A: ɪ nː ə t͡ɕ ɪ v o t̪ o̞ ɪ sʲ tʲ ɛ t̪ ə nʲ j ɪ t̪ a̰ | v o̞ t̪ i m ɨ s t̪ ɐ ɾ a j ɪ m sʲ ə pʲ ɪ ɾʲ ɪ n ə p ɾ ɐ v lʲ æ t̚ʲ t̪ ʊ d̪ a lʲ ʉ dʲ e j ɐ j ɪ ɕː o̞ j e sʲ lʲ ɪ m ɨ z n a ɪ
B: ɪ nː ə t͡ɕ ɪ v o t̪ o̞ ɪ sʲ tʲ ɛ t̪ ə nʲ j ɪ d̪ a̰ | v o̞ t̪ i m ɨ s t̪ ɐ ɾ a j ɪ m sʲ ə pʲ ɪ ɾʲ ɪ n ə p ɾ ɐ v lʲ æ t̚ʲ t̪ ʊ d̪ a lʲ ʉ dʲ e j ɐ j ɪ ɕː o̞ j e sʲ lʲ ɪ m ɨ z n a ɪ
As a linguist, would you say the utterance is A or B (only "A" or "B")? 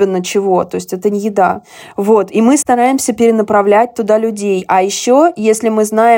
B